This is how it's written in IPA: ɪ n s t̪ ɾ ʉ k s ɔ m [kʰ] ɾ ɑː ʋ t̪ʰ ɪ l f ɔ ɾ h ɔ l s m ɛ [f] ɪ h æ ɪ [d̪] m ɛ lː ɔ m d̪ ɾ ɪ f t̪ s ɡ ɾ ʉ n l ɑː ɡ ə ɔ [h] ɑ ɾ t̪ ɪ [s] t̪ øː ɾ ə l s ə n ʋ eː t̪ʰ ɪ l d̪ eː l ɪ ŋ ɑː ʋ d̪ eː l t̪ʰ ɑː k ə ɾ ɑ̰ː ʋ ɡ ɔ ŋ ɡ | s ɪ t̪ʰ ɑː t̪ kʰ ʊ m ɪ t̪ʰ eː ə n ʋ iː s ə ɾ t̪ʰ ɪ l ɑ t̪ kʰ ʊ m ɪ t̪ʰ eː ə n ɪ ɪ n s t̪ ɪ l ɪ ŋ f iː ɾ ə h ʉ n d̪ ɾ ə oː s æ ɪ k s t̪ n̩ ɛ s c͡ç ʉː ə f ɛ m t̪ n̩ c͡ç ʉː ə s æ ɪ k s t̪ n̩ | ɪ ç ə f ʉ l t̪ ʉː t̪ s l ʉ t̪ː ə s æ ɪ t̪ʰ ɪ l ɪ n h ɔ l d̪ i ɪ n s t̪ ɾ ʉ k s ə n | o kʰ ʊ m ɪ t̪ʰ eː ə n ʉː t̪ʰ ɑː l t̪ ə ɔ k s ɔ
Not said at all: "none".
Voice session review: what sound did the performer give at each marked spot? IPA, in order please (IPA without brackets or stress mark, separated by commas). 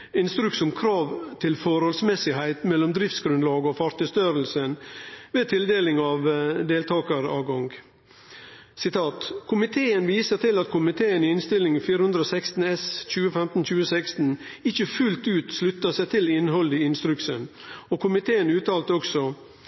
kʰ, s, t̪, f, s